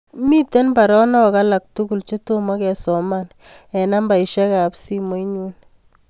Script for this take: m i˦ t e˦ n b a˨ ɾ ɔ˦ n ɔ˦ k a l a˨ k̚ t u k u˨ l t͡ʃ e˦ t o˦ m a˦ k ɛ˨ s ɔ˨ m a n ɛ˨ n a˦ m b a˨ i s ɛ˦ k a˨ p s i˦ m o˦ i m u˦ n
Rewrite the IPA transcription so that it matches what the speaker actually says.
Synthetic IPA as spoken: m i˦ t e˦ n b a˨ ɾ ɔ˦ n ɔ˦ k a l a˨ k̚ t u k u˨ l t͡ʃ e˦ t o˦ m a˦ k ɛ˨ s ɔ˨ m a n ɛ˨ n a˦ m b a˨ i ʃ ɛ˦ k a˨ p s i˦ m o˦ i ɲ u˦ n